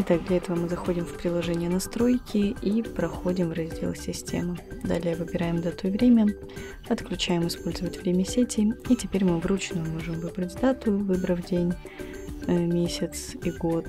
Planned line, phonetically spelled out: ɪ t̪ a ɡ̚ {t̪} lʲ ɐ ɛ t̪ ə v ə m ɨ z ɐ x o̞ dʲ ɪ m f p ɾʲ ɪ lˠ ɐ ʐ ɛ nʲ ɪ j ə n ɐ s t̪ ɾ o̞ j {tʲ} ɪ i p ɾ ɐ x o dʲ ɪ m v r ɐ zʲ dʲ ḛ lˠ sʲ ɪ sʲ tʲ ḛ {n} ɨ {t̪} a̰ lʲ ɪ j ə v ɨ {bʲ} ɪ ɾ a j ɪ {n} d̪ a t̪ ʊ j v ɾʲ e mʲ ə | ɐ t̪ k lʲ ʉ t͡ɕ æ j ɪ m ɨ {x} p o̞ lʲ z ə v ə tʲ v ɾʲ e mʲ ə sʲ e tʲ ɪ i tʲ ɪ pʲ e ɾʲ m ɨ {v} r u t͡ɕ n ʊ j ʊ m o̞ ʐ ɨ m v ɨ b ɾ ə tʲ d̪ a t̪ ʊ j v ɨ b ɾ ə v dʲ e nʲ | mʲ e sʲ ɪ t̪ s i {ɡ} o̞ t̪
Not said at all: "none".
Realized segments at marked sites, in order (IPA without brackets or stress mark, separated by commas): d̪, kʲ, m, d̪, bʲ, m, s, v, ɡ